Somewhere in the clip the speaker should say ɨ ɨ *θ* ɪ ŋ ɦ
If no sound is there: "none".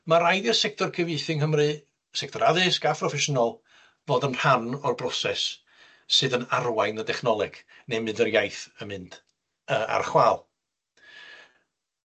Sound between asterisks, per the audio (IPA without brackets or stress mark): θ